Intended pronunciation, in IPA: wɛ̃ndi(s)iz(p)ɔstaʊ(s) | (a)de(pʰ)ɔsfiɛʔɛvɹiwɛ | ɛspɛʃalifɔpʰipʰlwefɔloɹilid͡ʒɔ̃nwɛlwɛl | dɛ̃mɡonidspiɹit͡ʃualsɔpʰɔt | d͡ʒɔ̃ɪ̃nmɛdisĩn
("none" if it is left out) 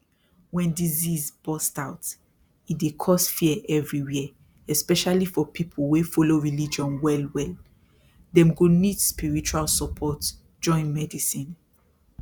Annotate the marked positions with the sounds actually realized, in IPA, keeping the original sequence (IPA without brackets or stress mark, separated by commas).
z, b, t, i, kʰ